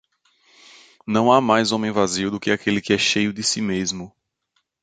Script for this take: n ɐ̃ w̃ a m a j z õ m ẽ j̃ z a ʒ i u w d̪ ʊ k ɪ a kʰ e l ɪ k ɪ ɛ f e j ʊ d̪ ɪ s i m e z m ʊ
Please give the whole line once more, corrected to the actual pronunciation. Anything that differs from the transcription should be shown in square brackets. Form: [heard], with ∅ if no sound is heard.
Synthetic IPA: n ɐ̃ w̃ a m a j z õ m ẽ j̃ [v] a [z] i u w d̪ ʊ k ɪ a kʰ e l ɪ k ɪ ɛ [ʃ] e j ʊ d̪ ɪ s i m e z m ʊ